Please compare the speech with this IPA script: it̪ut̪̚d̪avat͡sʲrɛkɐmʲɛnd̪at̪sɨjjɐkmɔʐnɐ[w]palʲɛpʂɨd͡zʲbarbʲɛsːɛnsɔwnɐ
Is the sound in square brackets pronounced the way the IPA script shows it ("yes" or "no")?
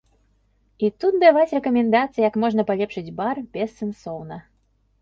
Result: no